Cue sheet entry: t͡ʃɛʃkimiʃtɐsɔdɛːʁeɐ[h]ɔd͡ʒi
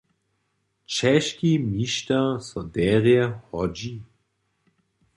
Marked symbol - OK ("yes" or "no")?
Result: yes